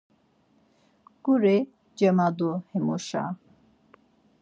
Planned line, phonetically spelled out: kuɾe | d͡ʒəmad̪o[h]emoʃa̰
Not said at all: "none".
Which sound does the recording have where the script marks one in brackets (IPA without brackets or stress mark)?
h